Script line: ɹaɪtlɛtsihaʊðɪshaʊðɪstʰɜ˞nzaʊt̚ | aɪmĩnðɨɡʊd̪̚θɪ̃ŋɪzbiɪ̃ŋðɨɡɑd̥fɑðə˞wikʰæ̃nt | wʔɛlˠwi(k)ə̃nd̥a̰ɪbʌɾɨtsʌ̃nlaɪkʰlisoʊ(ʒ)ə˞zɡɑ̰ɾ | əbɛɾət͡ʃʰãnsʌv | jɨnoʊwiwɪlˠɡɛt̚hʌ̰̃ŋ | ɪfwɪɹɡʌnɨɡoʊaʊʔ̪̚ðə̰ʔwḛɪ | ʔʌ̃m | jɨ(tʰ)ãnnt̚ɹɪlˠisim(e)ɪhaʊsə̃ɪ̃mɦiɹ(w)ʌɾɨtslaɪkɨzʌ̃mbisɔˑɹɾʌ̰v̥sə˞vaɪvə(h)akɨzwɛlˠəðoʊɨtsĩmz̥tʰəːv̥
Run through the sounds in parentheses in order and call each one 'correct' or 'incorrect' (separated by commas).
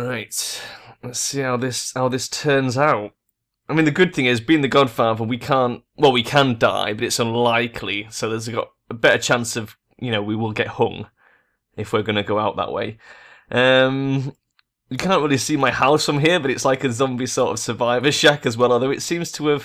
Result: incorrect, incorrect, incorrect, incorrect, incorrect, incorrect